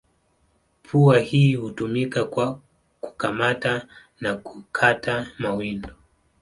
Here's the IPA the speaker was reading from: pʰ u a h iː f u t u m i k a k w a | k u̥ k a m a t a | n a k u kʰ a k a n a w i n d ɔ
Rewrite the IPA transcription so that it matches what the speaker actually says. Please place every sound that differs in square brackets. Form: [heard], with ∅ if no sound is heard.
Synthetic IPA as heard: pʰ u a h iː [h] u t u m i k a k w a | k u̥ k a m a t a | n a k u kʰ a [t] a [m] a w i n d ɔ